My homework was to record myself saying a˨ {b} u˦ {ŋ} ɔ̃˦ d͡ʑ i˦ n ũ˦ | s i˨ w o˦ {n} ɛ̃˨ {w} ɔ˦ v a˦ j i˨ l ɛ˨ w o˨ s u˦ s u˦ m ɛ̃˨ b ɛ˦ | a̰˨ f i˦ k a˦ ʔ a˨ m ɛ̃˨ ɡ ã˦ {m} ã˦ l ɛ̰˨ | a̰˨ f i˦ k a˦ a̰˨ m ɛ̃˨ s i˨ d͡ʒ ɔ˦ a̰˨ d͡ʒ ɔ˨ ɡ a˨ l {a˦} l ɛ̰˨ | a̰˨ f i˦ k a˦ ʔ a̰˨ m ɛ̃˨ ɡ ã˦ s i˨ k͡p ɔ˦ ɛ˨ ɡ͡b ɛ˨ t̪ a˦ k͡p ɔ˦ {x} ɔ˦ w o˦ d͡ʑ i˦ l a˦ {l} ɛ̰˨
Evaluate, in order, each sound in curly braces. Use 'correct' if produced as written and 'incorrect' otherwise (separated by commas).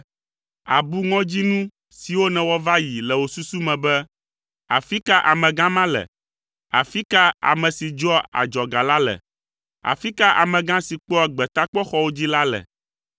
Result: correct, correct, correct, correct, correct, correct, correct, correct